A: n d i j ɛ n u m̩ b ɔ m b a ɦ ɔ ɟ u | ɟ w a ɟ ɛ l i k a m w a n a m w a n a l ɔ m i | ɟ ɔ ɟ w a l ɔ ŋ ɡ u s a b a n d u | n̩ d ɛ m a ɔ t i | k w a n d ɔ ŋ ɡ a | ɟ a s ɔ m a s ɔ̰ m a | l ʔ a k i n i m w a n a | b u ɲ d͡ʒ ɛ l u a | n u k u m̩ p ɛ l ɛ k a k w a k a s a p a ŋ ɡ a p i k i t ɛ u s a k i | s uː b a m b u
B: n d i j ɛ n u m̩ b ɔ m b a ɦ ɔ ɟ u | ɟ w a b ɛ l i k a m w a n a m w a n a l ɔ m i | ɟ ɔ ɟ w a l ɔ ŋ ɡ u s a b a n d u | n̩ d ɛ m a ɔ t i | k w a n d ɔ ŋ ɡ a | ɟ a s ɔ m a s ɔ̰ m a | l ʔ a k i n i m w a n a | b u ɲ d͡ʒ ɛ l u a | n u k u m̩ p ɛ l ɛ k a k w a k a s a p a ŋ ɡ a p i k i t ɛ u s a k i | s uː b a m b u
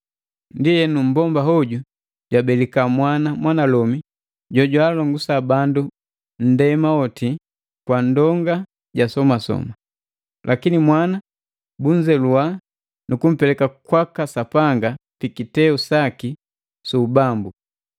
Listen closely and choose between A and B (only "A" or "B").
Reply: B